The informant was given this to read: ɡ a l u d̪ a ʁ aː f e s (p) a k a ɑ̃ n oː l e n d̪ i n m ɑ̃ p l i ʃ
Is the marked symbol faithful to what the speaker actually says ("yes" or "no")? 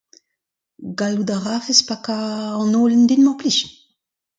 yes